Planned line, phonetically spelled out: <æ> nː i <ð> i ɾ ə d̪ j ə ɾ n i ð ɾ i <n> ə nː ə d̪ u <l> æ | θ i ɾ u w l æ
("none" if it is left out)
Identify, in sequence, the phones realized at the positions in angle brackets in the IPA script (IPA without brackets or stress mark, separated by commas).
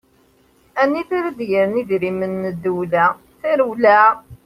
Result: æ, θ, m, l